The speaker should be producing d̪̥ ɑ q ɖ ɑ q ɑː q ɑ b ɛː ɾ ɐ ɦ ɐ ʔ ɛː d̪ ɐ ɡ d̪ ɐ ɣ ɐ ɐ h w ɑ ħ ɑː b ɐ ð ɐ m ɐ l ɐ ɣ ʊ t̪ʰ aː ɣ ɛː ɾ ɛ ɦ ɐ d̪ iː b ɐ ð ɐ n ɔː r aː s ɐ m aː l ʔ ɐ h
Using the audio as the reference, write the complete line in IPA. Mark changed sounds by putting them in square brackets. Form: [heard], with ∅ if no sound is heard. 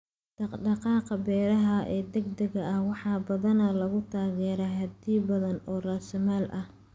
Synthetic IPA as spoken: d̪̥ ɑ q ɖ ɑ q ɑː q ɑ b ɛː ɾ ɐ ɦ ɐ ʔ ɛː d̪ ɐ ɡ d̪ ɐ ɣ ɐ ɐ h w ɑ ħ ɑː b ɐ ð ɐ [n] ɐ l ɐ ɣ ʊ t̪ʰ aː ɣ ɛː ɾ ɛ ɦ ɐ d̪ iː b ɐ ð ɐ n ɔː r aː s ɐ m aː l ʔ ɐ h